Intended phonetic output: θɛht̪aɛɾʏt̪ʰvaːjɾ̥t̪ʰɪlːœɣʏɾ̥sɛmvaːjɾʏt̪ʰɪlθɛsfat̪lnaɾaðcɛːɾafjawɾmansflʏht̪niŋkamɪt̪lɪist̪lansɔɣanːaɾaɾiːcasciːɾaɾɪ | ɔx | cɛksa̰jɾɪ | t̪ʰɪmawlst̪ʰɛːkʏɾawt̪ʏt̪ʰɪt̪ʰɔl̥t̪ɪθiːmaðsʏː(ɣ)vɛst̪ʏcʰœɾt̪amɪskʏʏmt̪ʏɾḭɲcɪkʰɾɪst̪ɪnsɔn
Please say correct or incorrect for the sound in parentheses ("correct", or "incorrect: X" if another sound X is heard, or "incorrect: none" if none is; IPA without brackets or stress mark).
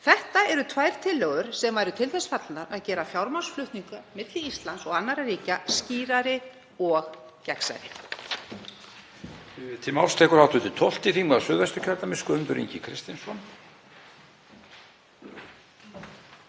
incorrect: ð